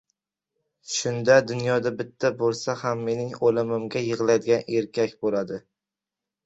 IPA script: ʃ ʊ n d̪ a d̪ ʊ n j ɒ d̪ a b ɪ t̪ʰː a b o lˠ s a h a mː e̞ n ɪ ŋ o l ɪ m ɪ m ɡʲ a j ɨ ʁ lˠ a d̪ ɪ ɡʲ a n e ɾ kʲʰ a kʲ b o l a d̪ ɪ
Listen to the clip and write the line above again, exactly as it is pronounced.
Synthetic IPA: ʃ ʊ n d̪ a d̪ ʊ n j ɒ d̪ a b ɪ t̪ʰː a b o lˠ s a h a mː e̞ n ɪ ŋ o l ɪ m ɪ m ɡʲ a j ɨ ʁ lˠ a d̪ ɪ ɡʲ a n e ɾ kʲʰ a kʲ b o l a d̪ ɪ